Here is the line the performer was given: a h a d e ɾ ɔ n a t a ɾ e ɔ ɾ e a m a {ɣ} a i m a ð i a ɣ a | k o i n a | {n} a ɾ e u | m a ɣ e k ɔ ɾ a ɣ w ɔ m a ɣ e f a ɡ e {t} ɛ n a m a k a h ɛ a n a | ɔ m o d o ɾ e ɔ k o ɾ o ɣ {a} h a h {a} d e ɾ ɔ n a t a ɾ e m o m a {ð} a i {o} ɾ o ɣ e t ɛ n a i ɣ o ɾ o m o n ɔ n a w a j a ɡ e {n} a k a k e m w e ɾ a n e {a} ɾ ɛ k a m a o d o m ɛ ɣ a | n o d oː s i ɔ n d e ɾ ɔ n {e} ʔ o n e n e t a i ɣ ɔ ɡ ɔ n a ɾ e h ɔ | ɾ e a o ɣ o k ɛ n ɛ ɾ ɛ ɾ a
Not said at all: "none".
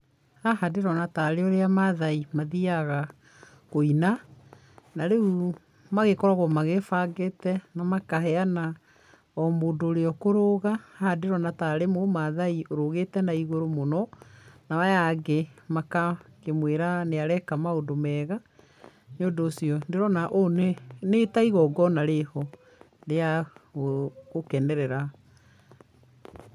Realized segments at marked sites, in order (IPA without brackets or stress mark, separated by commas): ð, n, t, a, a, ð, o, m, a, a